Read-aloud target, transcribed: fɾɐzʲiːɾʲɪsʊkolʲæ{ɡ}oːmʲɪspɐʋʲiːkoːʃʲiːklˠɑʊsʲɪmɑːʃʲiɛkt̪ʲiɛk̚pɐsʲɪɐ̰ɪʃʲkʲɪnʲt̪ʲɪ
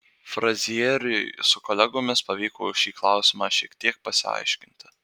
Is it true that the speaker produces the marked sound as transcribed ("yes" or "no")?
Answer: yes